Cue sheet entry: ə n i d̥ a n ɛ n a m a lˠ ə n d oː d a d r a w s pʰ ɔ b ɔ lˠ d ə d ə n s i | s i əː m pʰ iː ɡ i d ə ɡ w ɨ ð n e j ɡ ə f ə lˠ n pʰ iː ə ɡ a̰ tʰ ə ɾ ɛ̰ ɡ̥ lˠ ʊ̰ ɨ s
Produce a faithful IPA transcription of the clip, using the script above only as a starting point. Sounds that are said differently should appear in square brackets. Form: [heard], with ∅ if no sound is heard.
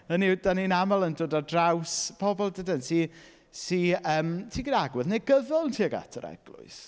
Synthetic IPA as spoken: ə n i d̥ a n [i] n a m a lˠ ə n d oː d a d r a w s pʰ ɔ b ɔ lˠ d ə d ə n s i | s i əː m [tʰ] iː ɡ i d [a] ɡ w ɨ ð n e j ɡ ə [v] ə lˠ n [tʰ] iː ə ɡ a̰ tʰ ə ɾ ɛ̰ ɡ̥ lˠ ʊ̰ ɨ s